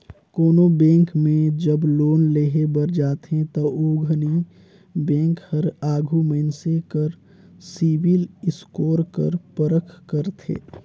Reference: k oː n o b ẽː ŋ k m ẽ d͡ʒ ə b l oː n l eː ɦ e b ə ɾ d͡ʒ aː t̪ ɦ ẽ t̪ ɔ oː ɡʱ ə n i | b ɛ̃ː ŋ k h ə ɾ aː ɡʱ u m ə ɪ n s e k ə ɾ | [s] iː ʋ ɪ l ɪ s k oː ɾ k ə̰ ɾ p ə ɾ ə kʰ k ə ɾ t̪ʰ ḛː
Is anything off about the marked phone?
no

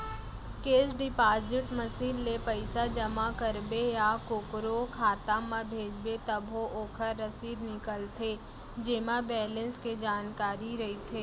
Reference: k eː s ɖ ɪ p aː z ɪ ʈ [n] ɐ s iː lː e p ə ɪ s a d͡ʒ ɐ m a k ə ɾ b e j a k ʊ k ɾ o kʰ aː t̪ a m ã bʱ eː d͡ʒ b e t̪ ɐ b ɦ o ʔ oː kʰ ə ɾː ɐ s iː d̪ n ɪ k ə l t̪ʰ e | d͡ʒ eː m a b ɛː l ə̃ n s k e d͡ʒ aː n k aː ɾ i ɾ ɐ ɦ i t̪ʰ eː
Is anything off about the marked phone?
yes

